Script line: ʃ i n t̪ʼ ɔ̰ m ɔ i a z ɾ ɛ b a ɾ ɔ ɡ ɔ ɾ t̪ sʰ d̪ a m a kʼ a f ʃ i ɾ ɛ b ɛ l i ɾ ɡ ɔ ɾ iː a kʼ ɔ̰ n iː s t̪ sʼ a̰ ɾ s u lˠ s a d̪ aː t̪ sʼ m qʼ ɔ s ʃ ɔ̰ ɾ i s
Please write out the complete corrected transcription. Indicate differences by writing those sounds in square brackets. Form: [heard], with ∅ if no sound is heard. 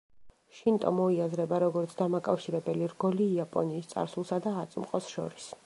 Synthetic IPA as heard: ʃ i n t̪ʼ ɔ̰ m ɔ i a z ɾ ɛ b a ɾ ɔ ɡ ɔ ɾ t̪ sʰ d̪ a m a kʼ a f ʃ i ɾ ɛ b ɛ l i ɾ ɡ ɔ [l] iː a [pʼ] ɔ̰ n iː s t̪ sʼ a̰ ɾ s u lˠ s a d̪ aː t̪ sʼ m qʼ ɔ s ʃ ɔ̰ ɾ i s